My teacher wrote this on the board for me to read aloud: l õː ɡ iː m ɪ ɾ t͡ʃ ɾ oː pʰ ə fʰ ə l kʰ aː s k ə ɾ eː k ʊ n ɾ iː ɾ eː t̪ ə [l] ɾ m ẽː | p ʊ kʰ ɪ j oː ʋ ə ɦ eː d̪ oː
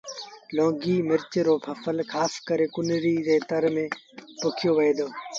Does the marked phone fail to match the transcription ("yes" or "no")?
yes